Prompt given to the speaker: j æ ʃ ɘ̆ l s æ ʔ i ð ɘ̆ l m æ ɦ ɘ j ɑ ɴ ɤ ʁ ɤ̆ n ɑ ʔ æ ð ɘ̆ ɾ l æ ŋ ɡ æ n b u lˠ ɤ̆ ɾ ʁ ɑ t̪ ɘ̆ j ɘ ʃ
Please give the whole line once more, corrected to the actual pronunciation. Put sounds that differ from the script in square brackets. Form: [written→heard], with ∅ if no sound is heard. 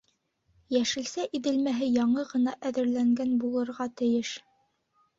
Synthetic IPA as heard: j æ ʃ ɘ̆ l s æ ʔ i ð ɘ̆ l m æ ɦ ɘ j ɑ ɴ ɤ ʁ ɤ̆ n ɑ ʔ æ ð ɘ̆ ɾ l æ ŋ ɡ æ n b u lˠ ɤ̆ ɾ ʁ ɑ t̪ ɘ̆ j ɘ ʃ